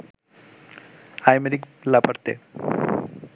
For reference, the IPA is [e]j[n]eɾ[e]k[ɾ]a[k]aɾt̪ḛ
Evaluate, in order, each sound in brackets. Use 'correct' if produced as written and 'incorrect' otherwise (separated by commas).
incorrect, incorrect, incorrect, incorrect, incorrect